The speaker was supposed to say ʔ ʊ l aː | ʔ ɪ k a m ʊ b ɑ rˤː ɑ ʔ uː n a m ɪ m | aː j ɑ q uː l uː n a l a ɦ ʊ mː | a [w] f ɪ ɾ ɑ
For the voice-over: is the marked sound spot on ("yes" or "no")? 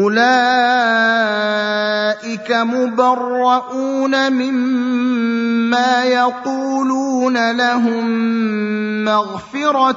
no